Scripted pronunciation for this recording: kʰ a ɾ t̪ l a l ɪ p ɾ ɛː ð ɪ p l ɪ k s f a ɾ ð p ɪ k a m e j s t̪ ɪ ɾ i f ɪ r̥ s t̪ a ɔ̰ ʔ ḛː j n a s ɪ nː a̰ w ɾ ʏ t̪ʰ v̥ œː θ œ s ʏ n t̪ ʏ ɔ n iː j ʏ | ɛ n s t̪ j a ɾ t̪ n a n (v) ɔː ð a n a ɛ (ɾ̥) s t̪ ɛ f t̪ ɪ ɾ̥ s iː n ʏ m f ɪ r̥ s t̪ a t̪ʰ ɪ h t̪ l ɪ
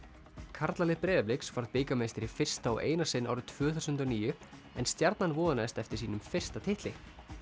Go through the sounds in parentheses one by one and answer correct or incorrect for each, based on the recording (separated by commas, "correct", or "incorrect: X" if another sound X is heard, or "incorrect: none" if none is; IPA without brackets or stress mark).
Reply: correct, incorrect: none